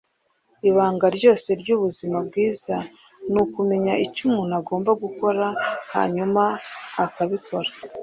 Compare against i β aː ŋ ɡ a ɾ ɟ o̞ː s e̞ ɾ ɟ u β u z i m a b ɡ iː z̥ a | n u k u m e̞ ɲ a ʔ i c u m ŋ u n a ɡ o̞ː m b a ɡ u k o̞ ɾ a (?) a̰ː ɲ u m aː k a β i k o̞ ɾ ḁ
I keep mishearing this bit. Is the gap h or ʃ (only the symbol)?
h